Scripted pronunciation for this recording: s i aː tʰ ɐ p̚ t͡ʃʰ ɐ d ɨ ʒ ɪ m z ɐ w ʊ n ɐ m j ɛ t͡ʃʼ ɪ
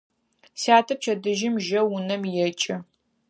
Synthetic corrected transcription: s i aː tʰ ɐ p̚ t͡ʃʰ ɐ d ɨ ʒ ɪ m ʒ ɐ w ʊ n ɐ m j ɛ t͡ʃʼ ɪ

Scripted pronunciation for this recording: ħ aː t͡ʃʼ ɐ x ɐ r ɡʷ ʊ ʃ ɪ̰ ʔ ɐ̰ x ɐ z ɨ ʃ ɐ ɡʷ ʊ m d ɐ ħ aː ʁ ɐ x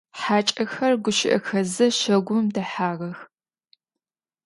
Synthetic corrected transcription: ħ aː t͡ʃʼ ɐ x ɐ r ɡʷ ʊ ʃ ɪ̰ ʔ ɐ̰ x ɐ z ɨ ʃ ɐ ɡʷ ʊ m d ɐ ħ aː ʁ ɐ x

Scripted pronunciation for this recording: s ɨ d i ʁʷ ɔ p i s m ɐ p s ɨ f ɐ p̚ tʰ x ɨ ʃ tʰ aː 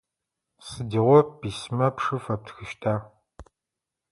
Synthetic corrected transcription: s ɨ d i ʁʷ ɔ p i s m ɐ p ʂ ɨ f ɐ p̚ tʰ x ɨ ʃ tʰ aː

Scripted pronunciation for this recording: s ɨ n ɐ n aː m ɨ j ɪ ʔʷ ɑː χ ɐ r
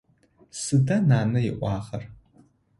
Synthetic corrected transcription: s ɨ d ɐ n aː n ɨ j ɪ ʔʷ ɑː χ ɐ r

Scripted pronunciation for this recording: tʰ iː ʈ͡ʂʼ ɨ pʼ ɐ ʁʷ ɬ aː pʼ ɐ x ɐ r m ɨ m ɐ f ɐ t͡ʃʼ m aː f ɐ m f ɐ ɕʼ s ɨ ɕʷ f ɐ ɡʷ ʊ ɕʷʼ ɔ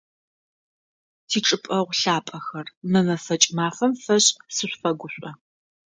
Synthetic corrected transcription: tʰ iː ʈ͡ʂʼ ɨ pʼ ɐ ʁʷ ɬ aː pʼ ɐ x ɐ r m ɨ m ɐ f ɐ t͡ʃʼ m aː f ɐ m f ɐ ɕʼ s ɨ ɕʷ f ɐ ɡʷ ʊ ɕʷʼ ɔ

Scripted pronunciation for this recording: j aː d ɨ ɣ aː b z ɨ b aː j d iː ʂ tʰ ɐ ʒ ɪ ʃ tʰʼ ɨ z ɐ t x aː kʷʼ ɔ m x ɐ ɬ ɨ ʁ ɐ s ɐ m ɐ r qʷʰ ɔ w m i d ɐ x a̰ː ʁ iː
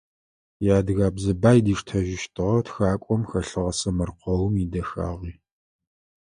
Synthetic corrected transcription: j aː d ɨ ɣ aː b z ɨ b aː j d iː ʂ tʰ ɐ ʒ ɪ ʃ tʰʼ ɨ ʁ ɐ t x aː kʷʼ ɔ m x ɐ ɬ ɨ ʁ ɐ s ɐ m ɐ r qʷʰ ɔ w m i d ɐ x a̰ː ʁ iː

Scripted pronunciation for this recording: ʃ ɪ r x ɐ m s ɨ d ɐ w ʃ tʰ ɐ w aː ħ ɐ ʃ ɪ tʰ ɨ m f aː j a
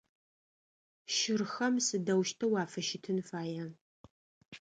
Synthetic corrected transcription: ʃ ɪ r x ɐ m s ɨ d ɐ w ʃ tʰ ɐ w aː f ɐ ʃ ɪ tʰ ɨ n f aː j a

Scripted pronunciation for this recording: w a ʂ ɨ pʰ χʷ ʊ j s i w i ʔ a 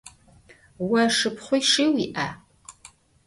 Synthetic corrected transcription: w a ʂ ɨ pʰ χʷ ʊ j ʂ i w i ʔ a

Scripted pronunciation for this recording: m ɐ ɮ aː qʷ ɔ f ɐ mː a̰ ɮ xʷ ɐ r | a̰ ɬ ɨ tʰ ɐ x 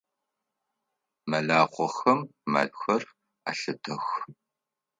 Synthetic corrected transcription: m ɐ ɮ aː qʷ ɔ x ɐ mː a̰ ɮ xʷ ɐ r | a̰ ɬ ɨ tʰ ɐ x

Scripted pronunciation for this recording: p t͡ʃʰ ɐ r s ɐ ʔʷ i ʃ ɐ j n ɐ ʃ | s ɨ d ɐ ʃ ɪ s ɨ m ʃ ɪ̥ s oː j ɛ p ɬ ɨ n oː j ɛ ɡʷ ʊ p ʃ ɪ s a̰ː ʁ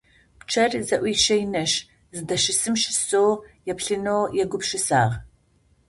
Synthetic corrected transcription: p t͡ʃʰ ɐ r z ɐ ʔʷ i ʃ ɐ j n ɐ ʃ | z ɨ d ɐ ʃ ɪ s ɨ m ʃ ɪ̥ s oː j ɛ p ɬ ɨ n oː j ɛ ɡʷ ʊ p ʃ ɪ s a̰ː ʁ

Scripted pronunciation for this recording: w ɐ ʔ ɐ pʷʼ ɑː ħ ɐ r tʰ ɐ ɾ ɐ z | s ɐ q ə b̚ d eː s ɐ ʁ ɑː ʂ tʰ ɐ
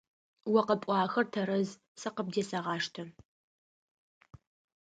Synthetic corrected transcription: w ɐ q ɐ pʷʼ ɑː x ɐ r tʰ ɐ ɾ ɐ z | s ɐ q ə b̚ d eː s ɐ ʁ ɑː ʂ tʰ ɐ

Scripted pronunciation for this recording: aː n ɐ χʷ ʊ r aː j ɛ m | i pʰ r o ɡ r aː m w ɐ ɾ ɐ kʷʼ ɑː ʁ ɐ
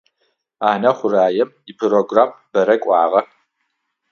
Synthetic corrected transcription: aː n ɐ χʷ ʊ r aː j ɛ m | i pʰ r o ɡ r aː m b ɐ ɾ ɐ kʷʼ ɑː ʁ ɐ

